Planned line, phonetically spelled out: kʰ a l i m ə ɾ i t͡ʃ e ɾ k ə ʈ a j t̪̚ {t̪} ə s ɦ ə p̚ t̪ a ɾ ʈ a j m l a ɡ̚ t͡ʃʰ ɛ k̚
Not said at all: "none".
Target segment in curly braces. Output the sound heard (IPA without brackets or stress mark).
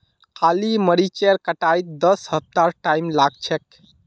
d̪